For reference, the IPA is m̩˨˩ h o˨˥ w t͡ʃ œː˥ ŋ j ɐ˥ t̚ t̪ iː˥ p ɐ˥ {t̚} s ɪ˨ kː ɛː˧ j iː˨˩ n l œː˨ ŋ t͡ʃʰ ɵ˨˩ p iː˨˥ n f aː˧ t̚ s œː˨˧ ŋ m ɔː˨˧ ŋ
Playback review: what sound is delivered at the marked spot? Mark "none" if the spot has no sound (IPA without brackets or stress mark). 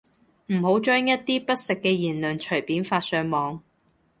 t̚